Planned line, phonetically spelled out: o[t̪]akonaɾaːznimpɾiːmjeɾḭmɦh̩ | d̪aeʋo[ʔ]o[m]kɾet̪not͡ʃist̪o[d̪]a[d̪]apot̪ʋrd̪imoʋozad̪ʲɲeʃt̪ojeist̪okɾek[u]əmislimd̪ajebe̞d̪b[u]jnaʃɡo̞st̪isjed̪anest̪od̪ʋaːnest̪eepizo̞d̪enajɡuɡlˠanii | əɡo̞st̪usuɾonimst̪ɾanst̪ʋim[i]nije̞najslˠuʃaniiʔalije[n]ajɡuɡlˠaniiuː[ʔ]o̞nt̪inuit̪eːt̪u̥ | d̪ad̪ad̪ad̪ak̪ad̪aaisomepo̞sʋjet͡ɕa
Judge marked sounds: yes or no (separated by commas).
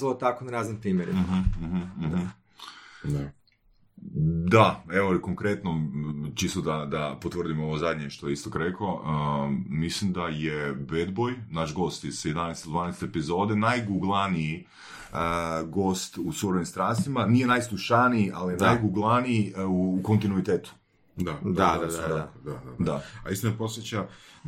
yes, no, no, yes, yes, no, no, no, yes, no